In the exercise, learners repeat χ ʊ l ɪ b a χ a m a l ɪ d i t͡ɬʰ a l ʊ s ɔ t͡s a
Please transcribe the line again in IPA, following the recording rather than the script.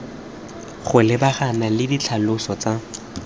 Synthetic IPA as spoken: χ ʊ l ɪ b a χ a n a l ɪ d i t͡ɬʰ a l ʊ s ɔ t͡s a